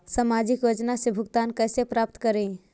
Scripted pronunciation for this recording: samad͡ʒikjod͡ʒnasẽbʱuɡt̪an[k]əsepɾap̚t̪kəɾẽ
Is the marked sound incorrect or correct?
correct